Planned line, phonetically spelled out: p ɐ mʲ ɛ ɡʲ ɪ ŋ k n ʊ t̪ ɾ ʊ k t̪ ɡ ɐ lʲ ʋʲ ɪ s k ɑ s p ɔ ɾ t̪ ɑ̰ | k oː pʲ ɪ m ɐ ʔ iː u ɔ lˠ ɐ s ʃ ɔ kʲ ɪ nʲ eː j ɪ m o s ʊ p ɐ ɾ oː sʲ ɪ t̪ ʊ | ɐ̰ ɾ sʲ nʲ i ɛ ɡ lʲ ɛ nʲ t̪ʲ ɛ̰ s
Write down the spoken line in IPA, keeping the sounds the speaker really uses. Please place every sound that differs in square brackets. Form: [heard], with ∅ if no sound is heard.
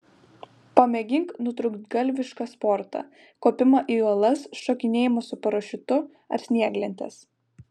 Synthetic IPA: p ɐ mʲ ɛ ɡʲ ɪ ŋ k n ʊ t̪ ɾ ʊ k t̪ ɡ ɐ lʲ ʋʲ ɪ [ʃ] k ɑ s p ɔ ɾ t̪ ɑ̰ | k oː pʲ ɪ m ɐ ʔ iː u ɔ lˠ ɐ s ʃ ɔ kʲ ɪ nʲ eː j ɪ m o s ʊ p ɐ ɾ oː [ʃʲ] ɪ t̪ ʊ | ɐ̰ ɾ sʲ nʲ i ɛ ɡ lʲ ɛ nʲ t̪ʲ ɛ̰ s